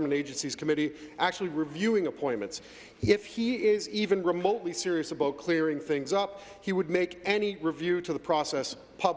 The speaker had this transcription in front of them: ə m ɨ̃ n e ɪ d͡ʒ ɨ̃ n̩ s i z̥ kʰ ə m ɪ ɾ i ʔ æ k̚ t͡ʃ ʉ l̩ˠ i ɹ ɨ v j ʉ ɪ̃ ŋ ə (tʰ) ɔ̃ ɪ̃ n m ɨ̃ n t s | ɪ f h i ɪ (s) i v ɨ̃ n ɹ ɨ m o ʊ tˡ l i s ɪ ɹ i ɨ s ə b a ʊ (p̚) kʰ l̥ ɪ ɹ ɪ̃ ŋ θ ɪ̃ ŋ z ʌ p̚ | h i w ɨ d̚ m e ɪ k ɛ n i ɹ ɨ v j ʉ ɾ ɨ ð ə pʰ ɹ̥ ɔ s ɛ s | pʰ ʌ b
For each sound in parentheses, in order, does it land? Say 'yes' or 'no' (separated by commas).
no, no, no